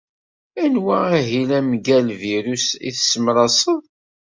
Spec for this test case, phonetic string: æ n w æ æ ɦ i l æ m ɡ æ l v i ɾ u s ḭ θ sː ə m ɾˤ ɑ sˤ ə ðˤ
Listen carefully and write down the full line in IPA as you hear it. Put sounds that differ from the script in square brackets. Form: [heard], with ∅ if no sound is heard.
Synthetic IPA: æ n w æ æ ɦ i l æ m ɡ æ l v i ɾ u s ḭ θ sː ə m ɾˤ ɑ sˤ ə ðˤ